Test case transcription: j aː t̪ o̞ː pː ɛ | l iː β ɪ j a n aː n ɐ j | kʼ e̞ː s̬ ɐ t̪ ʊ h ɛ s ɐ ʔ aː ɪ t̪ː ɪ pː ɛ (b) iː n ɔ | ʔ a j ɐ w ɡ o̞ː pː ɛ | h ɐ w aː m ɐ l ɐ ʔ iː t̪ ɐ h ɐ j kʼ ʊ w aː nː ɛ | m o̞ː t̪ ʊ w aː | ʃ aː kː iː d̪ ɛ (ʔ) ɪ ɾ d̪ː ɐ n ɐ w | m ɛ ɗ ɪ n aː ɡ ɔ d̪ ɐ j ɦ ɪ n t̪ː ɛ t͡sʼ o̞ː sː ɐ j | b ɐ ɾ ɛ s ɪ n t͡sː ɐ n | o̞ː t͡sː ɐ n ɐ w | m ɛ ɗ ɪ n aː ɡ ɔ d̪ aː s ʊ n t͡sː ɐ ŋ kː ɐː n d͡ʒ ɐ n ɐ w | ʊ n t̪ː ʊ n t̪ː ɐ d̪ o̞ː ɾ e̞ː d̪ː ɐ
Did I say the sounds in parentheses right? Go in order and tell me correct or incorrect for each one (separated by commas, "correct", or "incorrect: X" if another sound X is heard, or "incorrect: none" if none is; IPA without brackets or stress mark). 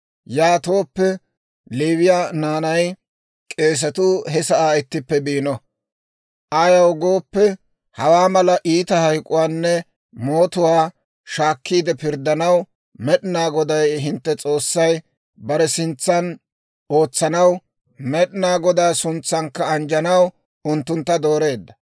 correct, incorrect: p